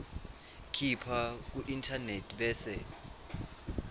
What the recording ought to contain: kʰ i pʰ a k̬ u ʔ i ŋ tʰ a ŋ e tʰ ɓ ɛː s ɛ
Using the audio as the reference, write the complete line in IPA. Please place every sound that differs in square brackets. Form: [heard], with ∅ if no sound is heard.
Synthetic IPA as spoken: kʰ i pʰ a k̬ u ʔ i [n] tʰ a [n] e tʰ ɓ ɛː s ɛ

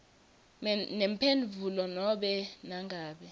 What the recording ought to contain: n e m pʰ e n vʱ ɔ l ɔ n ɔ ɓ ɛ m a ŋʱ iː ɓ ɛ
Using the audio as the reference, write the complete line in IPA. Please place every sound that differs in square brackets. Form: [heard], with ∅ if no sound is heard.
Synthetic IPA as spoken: n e m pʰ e n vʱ [u] l ɔ n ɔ ɓ ɛ [n] a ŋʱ [aː] ɓ ɛ

